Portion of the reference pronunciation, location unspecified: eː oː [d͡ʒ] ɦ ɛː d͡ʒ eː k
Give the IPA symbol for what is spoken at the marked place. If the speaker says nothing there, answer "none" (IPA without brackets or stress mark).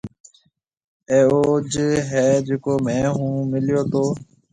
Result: d͡ʒ